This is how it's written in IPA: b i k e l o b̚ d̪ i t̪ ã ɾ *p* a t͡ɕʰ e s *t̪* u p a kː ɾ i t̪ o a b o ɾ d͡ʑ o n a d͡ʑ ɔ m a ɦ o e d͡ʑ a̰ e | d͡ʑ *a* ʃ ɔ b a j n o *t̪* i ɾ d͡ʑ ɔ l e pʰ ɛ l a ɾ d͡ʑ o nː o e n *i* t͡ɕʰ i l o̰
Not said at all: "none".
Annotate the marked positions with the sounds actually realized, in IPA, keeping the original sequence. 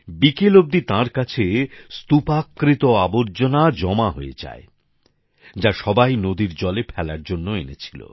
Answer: k, t̪, a, d̪, e

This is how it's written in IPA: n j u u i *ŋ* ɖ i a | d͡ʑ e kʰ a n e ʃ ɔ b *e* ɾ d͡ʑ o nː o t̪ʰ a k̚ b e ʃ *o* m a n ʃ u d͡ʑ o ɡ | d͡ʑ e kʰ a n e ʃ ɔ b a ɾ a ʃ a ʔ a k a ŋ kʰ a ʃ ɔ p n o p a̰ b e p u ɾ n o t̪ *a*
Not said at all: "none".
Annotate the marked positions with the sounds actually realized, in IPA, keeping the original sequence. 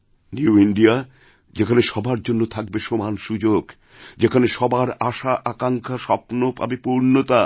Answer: ɳ, a, o, a

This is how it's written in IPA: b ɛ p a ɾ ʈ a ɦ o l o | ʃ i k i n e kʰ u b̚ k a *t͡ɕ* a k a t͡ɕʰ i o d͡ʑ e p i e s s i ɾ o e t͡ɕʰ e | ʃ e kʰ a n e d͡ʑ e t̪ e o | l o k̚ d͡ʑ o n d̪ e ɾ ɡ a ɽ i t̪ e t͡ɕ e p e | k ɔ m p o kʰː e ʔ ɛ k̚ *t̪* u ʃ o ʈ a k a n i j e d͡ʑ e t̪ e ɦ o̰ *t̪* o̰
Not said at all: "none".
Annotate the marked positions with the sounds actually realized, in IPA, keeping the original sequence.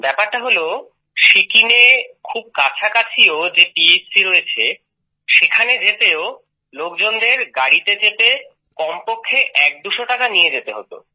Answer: t͡ɕʰ, d̪, t̪

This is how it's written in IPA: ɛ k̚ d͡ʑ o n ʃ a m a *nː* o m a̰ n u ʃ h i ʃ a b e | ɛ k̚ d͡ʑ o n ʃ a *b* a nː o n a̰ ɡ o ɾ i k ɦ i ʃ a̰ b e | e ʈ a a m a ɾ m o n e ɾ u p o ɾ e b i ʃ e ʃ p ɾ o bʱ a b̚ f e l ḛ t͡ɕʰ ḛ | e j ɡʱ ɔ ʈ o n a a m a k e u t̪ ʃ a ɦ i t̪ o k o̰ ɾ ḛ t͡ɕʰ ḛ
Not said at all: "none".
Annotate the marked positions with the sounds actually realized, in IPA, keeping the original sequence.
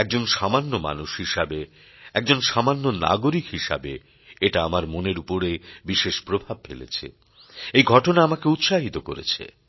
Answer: nː, m

